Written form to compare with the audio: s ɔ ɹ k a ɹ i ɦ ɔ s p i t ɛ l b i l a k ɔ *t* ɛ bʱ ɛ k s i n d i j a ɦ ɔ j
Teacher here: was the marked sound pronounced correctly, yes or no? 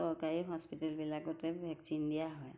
yes